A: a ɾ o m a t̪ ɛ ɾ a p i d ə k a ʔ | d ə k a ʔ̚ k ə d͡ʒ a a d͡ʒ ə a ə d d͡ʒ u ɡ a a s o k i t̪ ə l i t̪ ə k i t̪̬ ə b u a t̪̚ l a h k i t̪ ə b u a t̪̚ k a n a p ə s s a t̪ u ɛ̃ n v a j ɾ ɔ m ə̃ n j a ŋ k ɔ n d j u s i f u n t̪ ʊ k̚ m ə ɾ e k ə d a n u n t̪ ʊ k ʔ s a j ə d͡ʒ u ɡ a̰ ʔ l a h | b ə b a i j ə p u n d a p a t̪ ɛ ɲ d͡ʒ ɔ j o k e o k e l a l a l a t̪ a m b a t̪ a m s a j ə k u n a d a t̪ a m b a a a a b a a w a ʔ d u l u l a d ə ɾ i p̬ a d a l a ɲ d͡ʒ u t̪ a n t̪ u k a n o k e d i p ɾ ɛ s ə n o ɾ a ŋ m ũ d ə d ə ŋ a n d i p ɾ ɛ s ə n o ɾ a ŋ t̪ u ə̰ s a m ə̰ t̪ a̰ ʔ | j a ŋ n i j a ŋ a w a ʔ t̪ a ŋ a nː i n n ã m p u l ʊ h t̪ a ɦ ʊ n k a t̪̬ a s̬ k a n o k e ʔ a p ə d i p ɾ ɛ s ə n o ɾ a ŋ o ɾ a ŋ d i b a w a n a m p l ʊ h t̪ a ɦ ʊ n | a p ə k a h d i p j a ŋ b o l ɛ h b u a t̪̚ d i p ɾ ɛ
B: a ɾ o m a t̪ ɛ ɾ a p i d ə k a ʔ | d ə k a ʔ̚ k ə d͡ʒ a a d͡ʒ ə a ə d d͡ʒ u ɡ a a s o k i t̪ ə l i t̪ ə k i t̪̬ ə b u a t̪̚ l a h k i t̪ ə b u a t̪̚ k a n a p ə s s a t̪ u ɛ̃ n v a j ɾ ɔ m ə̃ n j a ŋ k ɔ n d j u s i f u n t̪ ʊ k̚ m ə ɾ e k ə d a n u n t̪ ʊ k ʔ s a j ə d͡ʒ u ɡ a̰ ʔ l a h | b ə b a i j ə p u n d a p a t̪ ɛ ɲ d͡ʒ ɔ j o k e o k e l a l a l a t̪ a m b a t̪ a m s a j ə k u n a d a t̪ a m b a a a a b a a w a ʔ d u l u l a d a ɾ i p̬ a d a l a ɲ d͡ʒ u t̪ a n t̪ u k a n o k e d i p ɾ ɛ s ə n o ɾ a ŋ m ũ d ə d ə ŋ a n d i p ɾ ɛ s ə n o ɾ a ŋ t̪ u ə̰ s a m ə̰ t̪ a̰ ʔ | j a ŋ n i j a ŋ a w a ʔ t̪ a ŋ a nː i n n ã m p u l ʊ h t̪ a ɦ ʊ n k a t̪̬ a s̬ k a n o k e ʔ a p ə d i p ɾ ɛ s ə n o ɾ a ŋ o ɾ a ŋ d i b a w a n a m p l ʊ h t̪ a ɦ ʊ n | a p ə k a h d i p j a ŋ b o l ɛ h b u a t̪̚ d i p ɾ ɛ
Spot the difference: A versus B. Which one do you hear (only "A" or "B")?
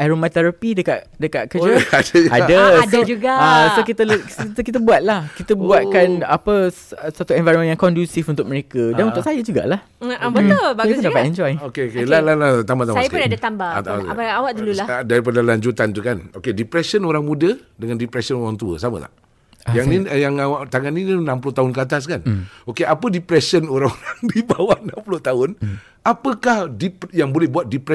B